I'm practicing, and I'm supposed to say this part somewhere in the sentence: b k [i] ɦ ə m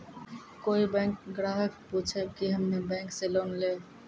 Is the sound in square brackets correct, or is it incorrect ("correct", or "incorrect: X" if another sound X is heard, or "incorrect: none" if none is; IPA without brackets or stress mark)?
correct